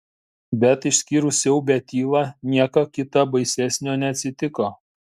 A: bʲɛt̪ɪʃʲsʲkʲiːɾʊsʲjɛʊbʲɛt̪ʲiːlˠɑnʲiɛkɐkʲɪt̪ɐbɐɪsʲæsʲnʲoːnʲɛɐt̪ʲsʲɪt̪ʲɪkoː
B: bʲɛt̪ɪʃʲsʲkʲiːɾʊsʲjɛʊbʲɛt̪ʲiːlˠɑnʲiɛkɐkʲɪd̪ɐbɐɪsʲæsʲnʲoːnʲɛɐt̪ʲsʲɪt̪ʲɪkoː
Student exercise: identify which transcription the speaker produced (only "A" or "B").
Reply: A